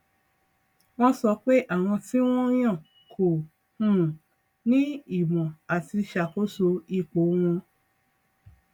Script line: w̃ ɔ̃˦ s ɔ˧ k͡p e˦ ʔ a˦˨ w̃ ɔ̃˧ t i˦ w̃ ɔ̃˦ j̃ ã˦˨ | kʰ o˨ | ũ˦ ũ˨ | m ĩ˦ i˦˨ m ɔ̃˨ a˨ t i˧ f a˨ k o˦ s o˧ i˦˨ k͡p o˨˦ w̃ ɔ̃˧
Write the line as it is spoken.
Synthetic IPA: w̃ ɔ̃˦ s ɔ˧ k͡p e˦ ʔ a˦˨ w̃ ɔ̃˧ t i˦ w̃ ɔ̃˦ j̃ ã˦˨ | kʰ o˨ | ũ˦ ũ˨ | n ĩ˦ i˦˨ m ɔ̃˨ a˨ t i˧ ʃ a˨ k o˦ s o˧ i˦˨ k͡p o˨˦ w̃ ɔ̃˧